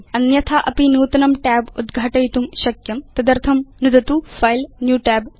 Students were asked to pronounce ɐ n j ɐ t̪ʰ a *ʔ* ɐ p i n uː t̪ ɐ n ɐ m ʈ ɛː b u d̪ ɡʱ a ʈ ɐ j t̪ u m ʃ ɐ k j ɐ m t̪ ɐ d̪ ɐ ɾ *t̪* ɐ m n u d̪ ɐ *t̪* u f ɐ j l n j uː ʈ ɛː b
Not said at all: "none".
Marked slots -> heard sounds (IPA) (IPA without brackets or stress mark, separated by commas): ʔ, t̪ʰ, t̪